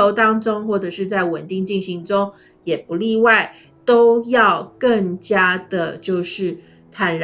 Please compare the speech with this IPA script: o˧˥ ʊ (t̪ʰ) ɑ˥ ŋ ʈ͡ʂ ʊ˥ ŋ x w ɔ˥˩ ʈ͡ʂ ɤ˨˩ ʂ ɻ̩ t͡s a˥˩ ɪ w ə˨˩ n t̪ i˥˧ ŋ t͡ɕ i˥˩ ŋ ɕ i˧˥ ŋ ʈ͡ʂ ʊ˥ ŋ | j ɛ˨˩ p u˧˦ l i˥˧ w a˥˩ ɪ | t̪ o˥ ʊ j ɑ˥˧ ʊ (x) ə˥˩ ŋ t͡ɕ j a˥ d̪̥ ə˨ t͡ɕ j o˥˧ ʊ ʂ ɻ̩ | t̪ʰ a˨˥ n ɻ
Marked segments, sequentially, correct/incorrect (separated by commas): incorrect, incorrect